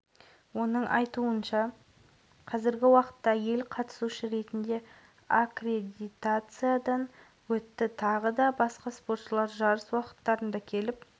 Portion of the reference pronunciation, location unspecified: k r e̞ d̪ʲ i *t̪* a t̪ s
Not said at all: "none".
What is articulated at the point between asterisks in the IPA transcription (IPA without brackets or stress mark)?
t̪